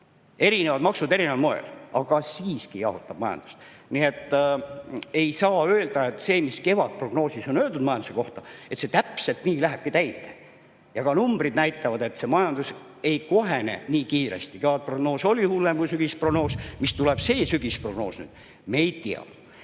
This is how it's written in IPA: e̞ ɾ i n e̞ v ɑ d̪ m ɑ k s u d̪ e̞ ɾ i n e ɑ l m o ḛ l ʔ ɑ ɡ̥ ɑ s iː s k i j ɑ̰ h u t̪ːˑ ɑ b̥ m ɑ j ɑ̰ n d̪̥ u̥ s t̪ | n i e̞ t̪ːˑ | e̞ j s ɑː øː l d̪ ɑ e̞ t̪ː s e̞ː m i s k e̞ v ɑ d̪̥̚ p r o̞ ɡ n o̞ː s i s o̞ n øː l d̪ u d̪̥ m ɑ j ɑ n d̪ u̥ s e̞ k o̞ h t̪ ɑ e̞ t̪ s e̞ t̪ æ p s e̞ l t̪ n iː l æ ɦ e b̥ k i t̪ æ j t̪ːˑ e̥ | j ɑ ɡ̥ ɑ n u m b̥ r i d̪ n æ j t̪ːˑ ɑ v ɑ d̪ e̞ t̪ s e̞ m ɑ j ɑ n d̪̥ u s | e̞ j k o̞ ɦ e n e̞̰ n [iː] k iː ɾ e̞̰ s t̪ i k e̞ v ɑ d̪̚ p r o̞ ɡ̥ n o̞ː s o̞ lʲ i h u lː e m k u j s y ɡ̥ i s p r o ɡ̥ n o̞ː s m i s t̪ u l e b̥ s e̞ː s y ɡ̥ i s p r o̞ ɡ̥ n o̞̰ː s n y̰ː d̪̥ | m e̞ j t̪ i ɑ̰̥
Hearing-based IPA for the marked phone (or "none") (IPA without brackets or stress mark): iː